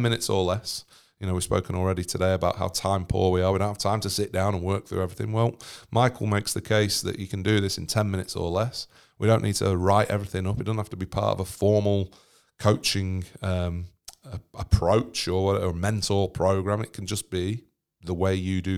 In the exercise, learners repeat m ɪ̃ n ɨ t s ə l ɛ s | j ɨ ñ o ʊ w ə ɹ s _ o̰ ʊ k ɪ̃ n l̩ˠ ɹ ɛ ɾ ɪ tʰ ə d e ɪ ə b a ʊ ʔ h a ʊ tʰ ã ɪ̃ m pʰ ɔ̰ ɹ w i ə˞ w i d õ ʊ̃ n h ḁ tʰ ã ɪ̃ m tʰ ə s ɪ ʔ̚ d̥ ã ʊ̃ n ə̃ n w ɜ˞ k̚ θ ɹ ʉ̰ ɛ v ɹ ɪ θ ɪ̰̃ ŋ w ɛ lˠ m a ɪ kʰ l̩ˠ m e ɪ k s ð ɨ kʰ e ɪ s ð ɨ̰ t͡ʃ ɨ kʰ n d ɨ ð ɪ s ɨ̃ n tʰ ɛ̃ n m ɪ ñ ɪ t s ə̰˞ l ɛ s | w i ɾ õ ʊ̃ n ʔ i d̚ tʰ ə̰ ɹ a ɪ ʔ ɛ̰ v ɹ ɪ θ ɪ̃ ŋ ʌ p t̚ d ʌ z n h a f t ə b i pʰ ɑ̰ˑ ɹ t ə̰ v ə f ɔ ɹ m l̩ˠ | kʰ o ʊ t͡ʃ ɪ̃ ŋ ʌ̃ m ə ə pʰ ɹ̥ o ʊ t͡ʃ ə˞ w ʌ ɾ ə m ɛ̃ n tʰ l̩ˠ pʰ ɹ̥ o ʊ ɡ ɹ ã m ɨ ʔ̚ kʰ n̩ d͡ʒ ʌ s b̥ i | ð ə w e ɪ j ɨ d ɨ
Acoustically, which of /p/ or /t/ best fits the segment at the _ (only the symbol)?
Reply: p